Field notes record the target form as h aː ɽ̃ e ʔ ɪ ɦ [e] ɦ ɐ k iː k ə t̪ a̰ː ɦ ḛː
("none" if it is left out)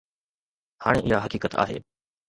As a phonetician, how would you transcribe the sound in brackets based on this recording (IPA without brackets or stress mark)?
a